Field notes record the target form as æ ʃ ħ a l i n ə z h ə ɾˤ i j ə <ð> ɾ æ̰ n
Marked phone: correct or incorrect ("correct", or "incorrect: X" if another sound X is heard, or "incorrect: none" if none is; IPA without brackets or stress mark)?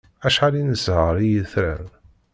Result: incorrect: θ